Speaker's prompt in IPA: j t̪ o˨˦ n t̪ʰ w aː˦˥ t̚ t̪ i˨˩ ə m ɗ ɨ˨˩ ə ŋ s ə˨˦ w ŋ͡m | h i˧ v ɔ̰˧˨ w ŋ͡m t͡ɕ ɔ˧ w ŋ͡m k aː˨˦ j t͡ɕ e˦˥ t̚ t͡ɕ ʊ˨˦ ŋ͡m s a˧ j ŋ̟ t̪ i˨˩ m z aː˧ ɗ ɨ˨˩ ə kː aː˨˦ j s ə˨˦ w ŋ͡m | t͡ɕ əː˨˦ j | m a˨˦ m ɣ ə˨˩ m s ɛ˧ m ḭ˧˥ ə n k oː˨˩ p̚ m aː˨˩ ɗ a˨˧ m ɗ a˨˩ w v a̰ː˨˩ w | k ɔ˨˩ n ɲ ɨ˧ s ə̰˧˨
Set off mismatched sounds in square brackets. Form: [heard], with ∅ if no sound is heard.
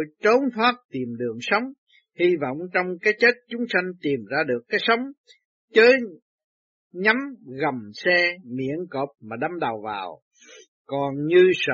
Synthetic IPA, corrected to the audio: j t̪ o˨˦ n t̪ʰ w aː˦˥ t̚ t̪ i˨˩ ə m ɗ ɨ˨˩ ə ŋ s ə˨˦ w ŋ͡m | h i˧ v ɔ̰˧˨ w ŋ͡m t͡ɕ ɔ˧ w ŋ͡m k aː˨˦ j t͡ɕ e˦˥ t̚ t͡ɕ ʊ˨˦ ŋ͡m s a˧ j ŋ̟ t̪ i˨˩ m z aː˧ ɗ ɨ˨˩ ə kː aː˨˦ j s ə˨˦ w ŋ͡m | t͡ɕ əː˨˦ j | [ɲ] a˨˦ m ɣ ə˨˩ m s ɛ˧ m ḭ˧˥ ə n k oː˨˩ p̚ m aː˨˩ ɗ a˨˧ m ɗ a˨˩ w v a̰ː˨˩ w | k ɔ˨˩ n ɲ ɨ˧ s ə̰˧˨